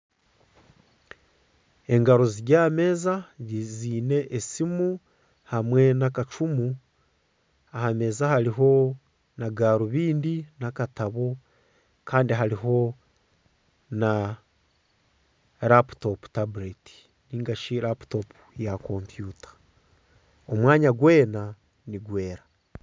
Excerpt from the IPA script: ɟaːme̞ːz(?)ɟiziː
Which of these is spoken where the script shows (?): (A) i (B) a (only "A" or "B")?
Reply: B